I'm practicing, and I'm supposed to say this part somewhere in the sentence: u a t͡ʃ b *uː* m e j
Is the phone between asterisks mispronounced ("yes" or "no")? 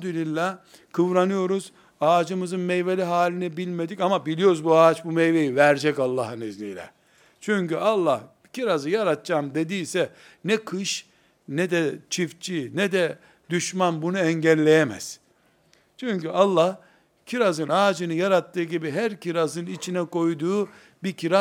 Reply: yes